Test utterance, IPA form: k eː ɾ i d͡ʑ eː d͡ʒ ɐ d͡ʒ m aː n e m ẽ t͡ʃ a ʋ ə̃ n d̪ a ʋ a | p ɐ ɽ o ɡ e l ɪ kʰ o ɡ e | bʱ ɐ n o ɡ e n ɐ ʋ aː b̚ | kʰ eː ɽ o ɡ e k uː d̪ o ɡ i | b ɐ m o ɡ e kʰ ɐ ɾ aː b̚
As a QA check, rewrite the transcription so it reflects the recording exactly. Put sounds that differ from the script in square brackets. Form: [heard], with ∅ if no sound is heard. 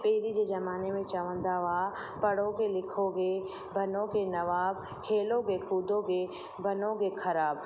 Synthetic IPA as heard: [p] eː ɾ i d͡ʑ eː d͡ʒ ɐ [∅] m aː n e m ẽ t͡ʃ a ʋ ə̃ n d̪ a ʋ a | p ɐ ɽ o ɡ e l ɪ kʰ o ɡ e | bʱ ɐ n o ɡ e n ɐ ʋ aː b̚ | kʰ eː [l] o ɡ e k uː d̪ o ɡ [e] | b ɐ [n] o ɡ e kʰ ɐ ɾ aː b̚